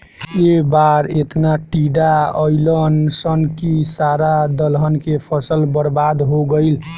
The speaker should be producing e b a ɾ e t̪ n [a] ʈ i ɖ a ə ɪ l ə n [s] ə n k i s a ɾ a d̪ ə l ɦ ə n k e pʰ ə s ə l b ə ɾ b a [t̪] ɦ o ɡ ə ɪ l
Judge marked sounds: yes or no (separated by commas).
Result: yes, yes, no